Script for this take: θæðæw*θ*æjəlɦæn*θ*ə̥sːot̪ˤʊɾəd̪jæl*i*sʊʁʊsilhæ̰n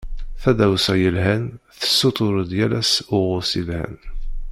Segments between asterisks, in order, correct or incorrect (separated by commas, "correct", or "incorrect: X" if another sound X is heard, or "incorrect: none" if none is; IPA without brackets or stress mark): incorrect: s, correct, incorrect: æ